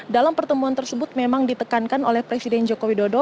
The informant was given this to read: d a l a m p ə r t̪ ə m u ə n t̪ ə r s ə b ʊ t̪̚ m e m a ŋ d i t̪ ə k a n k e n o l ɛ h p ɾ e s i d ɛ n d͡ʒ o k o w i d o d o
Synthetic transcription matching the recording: d a l a m p ə r t̪ ə m u a n t̪ ə r s ə b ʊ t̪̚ m e m a ŋ d i t̪ ə k a n k a n o l ɛ h p ɾ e s i d ɛ n d͡ʒ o k o w i d o d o